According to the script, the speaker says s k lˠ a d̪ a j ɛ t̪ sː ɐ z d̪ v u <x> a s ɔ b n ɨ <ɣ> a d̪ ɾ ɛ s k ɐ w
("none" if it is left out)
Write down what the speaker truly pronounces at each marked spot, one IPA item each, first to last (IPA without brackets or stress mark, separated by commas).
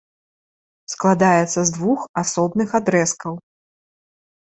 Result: x, x